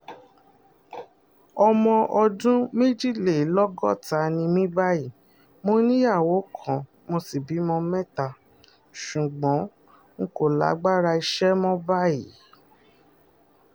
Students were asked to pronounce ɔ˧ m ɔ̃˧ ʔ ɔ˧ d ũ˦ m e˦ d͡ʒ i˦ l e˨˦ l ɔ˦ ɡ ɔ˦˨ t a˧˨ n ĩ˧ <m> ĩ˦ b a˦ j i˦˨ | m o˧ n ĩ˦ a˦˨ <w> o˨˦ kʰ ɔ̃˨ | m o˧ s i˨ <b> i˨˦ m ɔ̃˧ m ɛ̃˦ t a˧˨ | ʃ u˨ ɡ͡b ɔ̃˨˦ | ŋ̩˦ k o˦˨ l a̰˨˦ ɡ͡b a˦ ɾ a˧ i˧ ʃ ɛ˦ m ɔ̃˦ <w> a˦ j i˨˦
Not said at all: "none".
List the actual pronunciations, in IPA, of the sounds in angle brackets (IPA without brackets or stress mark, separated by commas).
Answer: m, w, b, b